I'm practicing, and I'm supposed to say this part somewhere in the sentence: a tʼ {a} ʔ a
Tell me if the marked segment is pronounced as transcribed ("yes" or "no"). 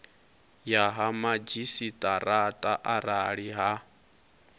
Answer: yes